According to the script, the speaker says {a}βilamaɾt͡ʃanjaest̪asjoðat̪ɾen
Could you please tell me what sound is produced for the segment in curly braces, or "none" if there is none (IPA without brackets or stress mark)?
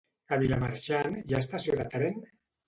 a